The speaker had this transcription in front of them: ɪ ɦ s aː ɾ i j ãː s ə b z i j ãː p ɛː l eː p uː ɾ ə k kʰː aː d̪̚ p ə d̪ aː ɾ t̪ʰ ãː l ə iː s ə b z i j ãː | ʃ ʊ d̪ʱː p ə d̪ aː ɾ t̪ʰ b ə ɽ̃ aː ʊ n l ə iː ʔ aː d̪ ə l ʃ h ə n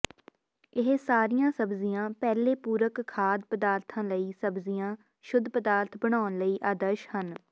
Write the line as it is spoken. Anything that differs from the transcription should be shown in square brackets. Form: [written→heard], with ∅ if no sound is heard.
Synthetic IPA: ɪ ɦ s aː ɾ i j ãː s ə b z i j ãː p ɛː l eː p uː ɾ ə k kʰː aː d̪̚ p ə d̪ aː ɾ t̪ʰ ãː l ə iː s ə b z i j ãː | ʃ ʊ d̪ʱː p ə d̪ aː ɾ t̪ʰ b ə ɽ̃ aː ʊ n l ə iː ʔ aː d̪ ə [l→ɾ] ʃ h ə n